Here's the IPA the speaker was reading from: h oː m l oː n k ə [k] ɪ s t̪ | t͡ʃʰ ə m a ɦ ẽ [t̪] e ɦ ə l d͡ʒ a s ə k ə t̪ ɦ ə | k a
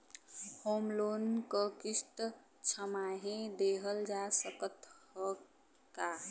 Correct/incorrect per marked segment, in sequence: correct, incorrect: d̪

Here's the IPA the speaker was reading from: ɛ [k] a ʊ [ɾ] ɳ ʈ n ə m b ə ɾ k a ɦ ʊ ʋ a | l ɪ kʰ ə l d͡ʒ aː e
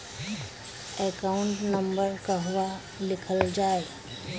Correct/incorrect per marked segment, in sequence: correct, incorrect: none

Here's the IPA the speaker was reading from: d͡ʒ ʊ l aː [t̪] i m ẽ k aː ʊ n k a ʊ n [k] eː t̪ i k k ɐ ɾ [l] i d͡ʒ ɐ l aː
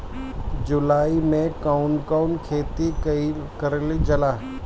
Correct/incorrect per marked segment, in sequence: incorrect: none, incorrect: kʰ, correct

